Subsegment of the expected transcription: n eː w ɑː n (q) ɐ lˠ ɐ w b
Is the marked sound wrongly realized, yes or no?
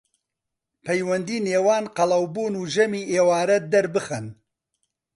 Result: no